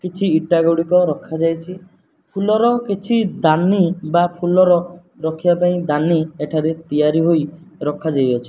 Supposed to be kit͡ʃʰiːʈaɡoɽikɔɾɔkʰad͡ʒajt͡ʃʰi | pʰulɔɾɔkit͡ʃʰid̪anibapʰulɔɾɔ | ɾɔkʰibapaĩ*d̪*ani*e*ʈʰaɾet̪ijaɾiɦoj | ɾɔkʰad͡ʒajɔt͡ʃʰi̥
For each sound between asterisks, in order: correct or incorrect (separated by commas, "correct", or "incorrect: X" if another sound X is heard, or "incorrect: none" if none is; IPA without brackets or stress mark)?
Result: correct, correct